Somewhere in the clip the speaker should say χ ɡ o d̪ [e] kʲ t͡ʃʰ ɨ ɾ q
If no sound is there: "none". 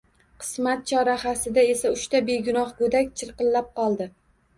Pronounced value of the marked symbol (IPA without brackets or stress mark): a